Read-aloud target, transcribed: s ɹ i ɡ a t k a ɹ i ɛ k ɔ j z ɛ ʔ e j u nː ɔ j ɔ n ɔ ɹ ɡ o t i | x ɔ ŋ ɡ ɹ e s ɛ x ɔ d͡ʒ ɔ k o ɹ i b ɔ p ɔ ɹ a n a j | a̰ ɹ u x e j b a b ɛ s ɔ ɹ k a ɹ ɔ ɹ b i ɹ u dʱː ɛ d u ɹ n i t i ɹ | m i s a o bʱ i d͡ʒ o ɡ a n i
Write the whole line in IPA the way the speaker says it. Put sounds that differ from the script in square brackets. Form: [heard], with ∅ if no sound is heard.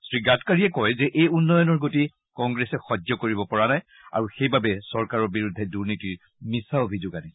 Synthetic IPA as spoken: s ɹ i ɡ a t k a ɹ i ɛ k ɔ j z ɛ ʔ e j u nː ɔ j ɔ n ɔ ɹ ɡ o t i | [k] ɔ ŋ ɡ ɹ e s ɛ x ɔ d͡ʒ ɔ k o ɹ i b ɔ p ɔ ɹ a n a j | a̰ ɹ u x e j b a b ɛ s ɔ ɹ k a ɹ ɔ ɹ b i ɹ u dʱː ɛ d u ɹ n i t i ɹ | m i s a o bʱ i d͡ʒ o ɡ a n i

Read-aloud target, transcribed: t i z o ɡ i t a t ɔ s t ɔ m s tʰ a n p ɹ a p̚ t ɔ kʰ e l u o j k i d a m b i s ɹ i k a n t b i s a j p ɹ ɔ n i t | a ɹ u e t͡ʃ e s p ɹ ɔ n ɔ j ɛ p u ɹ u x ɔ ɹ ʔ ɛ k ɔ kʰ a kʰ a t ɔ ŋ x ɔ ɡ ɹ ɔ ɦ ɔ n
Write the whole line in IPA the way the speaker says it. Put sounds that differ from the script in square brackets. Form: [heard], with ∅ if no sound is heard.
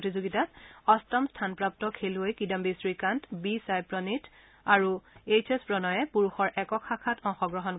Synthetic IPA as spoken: t i z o ɡ i t a t ɔ s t ɔ m s tʰ a n p ɹ a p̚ t ɔ kʰ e l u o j k i d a m b i s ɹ i k a n t b i s a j p ɹ ɔ n i t | a ɹ u e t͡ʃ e s p ɹ ɔ n ɔ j ɛ p u ɹ u x ɔ ɹ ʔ ɛ k ɔ kʰ a kʰ a t ɔ ŋ x ɔ ɡ ɹ ɔ ɦ ɔ n

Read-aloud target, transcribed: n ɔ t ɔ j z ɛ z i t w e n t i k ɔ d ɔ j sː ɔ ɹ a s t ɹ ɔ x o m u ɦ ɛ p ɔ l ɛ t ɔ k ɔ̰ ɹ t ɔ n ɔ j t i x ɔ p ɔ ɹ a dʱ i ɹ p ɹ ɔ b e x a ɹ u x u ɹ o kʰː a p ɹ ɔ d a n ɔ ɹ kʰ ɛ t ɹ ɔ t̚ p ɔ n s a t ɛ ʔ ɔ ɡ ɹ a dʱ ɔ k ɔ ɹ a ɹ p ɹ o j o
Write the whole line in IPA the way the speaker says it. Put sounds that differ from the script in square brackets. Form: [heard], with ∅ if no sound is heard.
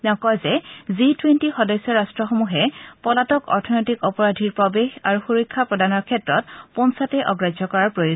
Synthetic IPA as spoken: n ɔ [k] ɔ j z ɛ z i t w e n t i [x] ɔ d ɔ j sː ɔ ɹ a s t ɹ ɔ x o m u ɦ ɛ p ɔ l [a] t ɔ k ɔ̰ ɹ [tʰ] ɔ n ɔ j t i [k] ɔ p ɔ ɹ a dʱ i ɹ p ɹ ɔ b e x a ɹ u x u ɹ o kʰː a p ɹ ɔ d a n ɔ ɹ kʰ ɛ t ɹ ɔ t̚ p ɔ n s a t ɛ ʔ ɔ ɡ ɹ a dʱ ɔ k ɔ ɹ a ɹ p ɹ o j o

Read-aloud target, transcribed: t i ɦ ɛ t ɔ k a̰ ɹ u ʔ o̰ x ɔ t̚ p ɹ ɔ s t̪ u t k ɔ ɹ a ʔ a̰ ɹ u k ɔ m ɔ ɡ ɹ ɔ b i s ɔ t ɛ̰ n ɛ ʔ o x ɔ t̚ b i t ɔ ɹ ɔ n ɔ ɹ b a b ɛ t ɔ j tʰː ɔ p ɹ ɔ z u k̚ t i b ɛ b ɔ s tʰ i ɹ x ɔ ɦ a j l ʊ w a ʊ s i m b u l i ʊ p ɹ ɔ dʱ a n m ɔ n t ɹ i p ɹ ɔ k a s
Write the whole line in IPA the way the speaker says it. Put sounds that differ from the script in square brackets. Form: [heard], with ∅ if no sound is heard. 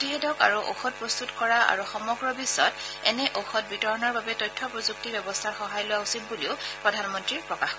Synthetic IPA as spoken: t i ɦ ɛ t ɔ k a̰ ɹ u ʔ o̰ x ɔ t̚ p ɹ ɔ s t̪ u t k ɔ ɹ a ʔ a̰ ɹ u [x] ɔ m ɔ ɡ ɹ ɔ b i s ɔ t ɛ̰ n ɛ ʔ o x ɔ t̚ b i t ɔ ɹ ɔ n ɔ ɹ b a b ɛ t ɔ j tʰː ɔ p ɹ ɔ z u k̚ t i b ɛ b ɔ s tʰ [a] ɹ x ɔ ɦ a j l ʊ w a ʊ s i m b u l i ʊ p ɹ ɔ dʱ a n m ɔ n t ɹ i p ɹ ɔ k a [x]

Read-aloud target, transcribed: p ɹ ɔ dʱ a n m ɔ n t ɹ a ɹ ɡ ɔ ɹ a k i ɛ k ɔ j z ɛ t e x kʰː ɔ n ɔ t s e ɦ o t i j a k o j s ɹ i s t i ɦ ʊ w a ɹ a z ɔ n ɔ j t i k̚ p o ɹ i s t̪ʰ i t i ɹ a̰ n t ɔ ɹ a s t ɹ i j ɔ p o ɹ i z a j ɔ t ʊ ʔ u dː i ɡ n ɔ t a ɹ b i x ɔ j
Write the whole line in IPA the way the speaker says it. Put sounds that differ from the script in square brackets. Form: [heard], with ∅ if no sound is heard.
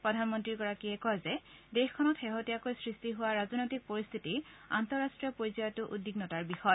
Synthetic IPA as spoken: p ɹ ɔ dʱ a n m ɔ n t ɹ [i] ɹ ɡ ɔ ɹ a k i ɛ k ɔ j z ɛ [d] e x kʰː ɔ n ɔ t [x] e ɦ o t i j a k o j s ɹ i s t i ɦ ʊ w a ɹ a z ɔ n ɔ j t i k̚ p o ɹ i s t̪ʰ i t i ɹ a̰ n t ɔ ɹ a s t ɹ i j ɔ p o ɹ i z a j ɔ t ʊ ʔ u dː i ɡ n ɔ t a ɹ b i x ɔ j

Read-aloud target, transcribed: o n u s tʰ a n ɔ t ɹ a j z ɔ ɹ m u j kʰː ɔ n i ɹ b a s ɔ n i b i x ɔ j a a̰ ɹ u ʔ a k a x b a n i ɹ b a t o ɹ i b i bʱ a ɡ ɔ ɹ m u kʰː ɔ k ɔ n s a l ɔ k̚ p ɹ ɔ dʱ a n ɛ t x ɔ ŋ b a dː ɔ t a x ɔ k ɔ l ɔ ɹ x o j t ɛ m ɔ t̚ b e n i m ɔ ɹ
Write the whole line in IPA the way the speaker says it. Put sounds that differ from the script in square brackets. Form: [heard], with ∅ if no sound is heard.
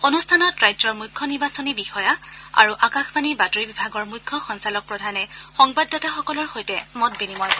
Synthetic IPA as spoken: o n u s tʰ a n ɔ t ɹ a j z ɔ ɹ m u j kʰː ɔ n i ɹ b a s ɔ n i b i x ɔ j a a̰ ɹ u ʔ a k a x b a n i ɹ b a t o ɹ i b i bʱ a ɡ ɔ ɹ m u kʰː ɔ [x] ɔ n s a l ɔ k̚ p ɹ ɔ dʱ a n ɛ [∅] x ɔ ŋ b a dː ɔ t a x ɔ k ɔ l ɔ ɹ x o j t ɛ m ɔ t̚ b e n i m ɔ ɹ

